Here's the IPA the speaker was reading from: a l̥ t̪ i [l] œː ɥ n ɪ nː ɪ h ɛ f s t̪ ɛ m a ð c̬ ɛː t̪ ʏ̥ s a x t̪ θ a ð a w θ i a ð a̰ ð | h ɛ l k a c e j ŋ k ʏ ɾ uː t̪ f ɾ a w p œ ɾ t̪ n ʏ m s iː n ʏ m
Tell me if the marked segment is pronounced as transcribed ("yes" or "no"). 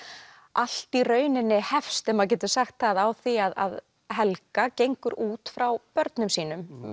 no